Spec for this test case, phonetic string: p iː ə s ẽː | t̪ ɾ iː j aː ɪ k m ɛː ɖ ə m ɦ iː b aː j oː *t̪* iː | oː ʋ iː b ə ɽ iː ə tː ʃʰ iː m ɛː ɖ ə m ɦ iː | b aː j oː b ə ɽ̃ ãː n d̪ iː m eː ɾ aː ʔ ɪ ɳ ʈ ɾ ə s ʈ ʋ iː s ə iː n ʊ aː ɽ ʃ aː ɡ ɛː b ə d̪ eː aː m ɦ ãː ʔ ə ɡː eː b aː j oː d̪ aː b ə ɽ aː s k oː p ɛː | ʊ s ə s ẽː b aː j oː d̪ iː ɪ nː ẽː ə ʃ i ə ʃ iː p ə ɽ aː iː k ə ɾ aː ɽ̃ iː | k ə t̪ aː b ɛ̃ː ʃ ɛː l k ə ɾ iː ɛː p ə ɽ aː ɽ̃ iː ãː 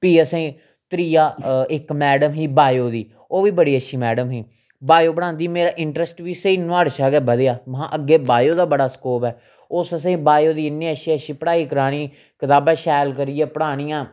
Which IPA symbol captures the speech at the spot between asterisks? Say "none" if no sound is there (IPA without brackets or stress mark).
d̪